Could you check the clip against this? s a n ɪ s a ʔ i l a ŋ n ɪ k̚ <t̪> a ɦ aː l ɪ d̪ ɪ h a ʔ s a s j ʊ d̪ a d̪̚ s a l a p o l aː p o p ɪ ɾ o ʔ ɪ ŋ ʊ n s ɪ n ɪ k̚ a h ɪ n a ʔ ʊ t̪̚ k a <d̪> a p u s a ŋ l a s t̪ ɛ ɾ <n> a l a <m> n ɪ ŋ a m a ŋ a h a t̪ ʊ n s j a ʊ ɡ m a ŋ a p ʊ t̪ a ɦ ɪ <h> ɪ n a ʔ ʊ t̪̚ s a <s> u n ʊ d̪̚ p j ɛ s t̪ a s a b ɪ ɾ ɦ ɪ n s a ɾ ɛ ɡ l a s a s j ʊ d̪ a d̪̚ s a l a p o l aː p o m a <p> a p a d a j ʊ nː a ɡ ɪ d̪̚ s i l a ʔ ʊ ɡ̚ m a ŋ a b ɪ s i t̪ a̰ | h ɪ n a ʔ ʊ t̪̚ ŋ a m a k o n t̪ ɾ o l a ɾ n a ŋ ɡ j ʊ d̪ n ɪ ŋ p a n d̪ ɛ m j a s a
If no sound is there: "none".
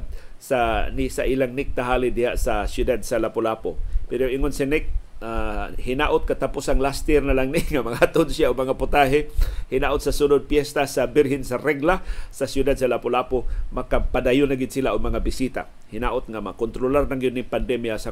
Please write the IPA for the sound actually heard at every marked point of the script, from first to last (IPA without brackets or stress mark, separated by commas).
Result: t̪, t̪, n, ŋ, h, s, k